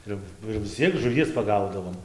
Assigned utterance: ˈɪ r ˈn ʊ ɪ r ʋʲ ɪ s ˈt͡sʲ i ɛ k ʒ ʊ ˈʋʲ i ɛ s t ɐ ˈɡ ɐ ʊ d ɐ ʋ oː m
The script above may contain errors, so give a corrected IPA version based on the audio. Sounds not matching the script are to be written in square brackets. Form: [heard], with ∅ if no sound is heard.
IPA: ˈɪ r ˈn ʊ ɪ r ʋʲ ɪ s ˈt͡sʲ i ɛ k ʒ ʊ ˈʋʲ i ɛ s [p] ɐ ˈɡ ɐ ʊ d ɐ ʋ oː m